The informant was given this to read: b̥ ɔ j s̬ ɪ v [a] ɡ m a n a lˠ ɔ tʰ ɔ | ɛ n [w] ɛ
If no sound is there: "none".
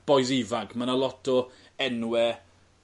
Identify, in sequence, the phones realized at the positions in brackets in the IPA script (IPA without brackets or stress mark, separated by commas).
a, w